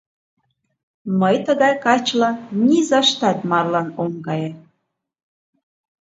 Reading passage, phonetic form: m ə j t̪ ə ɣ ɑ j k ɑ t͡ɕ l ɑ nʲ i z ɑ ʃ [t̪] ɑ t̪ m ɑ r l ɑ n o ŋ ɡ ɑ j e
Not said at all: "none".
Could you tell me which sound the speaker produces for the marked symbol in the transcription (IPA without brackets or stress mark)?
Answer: t̪